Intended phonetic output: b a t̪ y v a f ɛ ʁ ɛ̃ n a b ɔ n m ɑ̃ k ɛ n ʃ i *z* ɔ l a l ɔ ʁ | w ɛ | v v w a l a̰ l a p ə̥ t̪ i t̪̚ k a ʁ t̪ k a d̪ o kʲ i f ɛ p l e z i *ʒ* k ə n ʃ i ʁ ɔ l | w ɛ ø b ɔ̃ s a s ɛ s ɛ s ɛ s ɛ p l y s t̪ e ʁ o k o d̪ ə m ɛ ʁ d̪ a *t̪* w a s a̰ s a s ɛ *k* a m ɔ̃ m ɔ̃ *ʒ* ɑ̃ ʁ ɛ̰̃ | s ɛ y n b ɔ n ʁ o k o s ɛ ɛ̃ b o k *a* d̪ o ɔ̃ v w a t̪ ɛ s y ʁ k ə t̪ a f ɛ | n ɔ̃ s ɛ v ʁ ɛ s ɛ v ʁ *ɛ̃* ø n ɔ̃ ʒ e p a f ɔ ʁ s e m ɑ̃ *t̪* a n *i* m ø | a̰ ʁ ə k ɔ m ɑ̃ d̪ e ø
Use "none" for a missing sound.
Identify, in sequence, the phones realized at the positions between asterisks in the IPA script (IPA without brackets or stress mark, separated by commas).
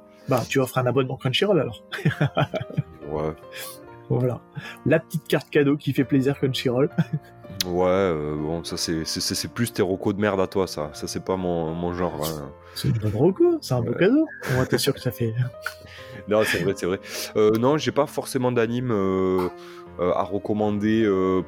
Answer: ʁ, ʁ, t̪, p, ʒ, a, ɛ, d̪, i